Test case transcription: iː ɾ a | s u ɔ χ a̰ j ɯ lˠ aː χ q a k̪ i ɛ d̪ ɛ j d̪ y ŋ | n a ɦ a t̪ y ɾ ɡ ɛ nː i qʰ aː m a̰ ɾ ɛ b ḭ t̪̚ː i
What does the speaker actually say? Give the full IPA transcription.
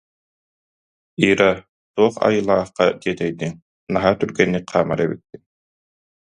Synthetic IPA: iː ɾ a | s u ɔ χ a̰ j ɯ lˠ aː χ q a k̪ i ɛ t̪ ɛ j d̪ i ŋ | n a ɦ a t̪ y ɾ ɡ ɛ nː i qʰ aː m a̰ ɾ ɛ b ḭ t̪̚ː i